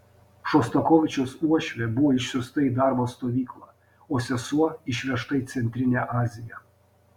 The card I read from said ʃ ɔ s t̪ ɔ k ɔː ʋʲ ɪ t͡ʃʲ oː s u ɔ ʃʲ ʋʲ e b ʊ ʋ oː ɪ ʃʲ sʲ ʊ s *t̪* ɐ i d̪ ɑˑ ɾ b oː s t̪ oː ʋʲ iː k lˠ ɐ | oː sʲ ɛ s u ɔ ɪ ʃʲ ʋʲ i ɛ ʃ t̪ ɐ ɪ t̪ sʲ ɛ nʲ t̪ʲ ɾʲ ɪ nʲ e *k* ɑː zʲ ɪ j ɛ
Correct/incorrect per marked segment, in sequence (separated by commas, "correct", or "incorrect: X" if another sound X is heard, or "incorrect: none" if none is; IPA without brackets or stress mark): correct, incorrect: ʔ